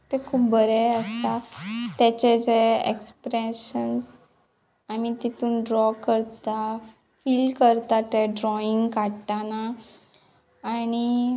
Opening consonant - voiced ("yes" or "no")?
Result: no